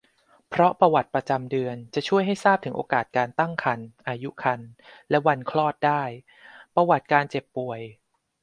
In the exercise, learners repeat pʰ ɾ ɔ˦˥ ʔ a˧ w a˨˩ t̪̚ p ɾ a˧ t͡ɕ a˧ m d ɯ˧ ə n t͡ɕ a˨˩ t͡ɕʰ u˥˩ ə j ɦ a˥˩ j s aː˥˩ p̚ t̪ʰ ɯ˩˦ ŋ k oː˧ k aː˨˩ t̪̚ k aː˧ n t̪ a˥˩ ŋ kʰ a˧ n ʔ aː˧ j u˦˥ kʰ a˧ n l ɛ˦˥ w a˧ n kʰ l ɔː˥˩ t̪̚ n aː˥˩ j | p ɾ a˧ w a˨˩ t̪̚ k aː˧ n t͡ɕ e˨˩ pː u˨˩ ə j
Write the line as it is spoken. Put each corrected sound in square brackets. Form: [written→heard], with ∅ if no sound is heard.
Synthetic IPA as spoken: pʰ ɾ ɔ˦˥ [ʔ→p] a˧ w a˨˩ t̪̚ p ɾ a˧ t͡ɕ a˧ m d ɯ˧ ə n t͡ɕ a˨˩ t͡ɕʰ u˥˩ ə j ɦ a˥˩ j s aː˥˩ p̚ t̪ʰ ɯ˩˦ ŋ [k→ʔ] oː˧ k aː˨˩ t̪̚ k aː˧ n t̪ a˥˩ ŋ kʰ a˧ n ʔ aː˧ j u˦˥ kʰ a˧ n l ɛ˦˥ w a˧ n kʰ l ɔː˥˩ t̪̚ [n→d] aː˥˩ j | p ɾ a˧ w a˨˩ t̪̚ k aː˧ n t͡ɕ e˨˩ pː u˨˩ ə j